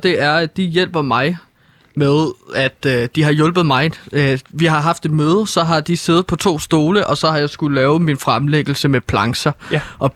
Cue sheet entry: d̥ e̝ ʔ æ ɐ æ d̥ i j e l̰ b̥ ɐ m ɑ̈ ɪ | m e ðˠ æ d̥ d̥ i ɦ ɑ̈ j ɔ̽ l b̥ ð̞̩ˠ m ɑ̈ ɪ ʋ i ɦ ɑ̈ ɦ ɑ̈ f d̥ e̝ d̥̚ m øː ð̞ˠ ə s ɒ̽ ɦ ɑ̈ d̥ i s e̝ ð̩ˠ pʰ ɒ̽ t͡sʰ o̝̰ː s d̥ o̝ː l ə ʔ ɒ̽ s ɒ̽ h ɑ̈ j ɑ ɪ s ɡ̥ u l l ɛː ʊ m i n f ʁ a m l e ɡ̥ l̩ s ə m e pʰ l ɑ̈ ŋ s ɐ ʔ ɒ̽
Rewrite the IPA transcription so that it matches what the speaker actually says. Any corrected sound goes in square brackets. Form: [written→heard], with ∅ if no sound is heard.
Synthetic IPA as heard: d̥ e̝ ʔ æ ɐ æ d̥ i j e l̰ b̥ ɐ m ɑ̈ ɪ | m e ðˠ æ d̥ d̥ i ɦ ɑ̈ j ɔ̽ l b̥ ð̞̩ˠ m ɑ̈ ɪ ʋ i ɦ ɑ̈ ɦ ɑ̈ f d̥ e̝ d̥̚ m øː ð̞ˠ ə s ɒ̽ ɦ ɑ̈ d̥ i s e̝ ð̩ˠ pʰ ɒ̽ t͡sʰ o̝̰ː s d̥ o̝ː l ə ʔ ɒ̽ s ɒ̽ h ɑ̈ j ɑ ɪ s ɡ̥ u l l ɛː ʊ m i n f ʁ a m l e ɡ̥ l̩ s ə m e pʰ l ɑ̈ ŋ s ɐ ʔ ɒ̽